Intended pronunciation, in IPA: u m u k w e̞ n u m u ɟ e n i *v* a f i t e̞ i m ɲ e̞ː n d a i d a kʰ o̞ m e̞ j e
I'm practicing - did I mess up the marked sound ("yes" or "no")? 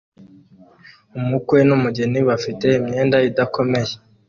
yes